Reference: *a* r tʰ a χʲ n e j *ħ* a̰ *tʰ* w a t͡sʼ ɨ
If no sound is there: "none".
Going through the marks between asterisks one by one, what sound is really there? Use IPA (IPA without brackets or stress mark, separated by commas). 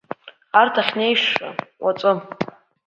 a, ʂ, none